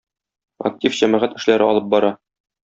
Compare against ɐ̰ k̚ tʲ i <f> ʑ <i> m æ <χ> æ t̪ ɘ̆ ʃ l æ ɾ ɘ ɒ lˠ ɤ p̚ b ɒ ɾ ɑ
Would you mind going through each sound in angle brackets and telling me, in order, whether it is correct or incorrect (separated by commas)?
correct, incorrect, incorrect